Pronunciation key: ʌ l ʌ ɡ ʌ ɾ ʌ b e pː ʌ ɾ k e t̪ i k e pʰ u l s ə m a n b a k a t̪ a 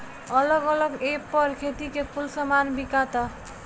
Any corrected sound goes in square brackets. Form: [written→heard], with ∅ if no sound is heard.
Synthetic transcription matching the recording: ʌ l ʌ ɡ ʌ [ɾ→l] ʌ [b→ɡ] e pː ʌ ɾ [k→kʰ] e t̪ i k e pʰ u l s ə m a n b [a→i] k a t̪ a